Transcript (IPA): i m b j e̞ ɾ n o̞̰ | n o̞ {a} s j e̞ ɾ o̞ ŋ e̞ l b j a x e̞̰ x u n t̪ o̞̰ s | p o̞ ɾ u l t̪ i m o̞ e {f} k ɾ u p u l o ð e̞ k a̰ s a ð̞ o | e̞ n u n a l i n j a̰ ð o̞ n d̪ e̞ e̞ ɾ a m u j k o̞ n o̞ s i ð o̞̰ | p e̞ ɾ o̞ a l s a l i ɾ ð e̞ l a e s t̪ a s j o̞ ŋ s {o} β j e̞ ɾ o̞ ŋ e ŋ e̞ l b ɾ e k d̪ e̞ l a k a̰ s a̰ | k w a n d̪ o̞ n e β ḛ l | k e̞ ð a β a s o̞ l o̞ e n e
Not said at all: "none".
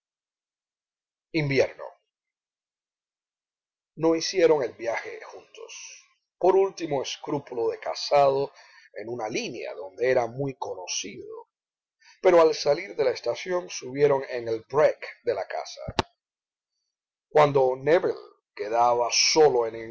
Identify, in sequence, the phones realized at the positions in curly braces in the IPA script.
i, s, u

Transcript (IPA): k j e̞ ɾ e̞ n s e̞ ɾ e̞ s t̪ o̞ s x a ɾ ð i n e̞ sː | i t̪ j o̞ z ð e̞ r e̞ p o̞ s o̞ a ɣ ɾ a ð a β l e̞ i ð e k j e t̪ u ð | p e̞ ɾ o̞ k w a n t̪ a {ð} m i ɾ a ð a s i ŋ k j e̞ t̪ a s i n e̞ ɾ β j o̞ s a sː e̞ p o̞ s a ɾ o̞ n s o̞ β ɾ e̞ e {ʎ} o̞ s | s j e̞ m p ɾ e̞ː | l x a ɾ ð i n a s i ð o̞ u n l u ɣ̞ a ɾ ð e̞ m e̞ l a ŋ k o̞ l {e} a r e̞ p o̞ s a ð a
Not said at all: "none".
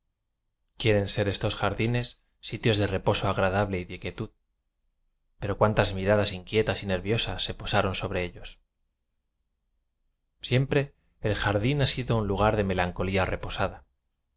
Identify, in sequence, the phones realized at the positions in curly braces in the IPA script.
z, ʎ, i

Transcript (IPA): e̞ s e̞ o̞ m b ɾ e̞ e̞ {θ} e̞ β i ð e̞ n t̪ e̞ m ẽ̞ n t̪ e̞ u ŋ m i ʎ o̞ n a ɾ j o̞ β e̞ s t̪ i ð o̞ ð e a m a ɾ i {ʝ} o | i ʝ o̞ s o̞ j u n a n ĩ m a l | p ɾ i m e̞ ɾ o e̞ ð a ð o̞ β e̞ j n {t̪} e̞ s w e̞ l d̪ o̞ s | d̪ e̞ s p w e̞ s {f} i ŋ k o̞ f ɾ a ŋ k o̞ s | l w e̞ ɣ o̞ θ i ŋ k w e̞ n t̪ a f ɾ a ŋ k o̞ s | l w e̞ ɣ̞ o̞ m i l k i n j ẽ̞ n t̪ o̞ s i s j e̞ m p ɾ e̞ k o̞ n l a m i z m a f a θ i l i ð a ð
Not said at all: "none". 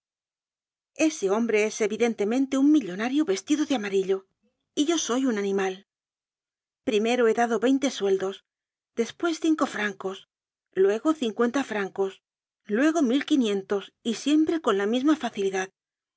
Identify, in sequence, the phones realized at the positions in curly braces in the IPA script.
s, ʎ, t̪, θ

